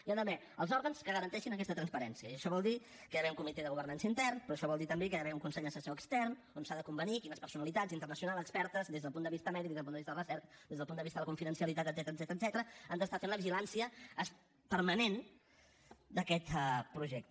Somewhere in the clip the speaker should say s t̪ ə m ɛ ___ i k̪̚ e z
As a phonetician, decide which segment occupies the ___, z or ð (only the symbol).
ð